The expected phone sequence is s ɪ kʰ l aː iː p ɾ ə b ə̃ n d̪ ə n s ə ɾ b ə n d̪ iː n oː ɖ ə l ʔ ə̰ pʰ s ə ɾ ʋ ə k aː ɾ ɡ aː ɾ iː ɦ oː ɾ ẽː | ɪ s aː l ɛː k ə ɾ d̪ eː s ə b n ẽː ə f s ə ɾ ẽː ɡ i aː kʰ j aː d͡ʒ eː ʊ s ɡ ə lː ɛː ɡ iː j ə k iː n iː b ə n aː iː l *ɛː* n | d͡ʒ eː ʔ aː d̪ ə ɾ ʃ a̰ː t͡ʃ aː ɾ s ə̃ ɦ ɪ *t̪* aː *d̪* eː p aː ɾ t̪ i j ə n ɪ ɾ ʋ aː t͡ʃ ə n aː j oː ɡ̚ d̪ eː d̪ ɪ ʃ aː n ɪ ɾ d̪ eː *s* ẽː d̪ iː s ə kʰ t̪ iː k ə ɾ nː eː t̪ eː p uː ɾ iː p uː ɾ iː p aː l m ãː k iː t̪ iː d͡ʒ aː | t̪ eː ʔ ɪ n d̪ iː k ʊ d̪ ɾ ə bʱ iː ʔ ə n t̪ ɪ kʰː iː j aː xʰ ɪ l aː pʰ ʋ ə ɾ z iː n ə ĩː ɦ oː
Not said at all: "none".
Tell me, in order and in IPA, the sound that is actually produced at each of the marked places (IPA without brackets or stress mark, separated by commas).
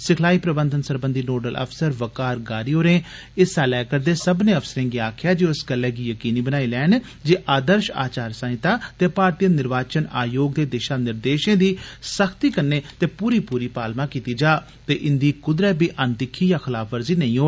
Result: ɛː, t̪, t̪, ʃ